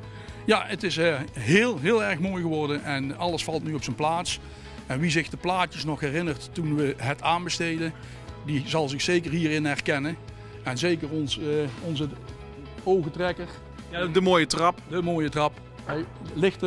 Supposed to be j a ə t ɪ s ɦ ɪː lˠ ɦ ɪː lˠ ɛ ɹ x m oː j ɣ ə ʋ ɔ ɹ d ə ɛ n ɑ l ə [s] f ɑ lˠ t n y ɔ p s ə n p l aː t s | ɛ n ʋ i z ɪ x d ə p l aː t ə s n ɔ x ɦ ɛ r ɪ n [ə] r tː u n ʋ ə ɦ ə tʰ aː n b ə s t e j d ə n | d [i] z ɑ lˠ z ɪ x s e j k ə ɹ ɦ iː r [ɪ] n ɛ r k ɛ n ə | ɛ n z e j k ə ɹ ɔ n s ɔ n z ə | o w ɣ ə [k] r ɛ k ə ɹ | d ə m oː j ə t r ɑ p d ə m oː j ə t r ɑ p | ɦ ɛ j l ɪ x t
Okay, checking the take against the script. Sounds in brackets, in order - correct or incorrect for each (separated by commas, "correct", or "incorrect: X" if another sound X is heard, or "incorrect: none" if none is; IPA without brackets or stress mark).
correct, correct, correct, correct, incorrect: t